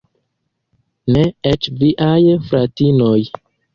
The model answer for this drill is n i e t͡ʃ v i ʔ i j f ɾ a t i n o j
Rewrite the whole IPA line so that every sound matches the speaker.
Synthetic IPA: n e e t͡ʃ v i ʔ a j f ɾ a t i n o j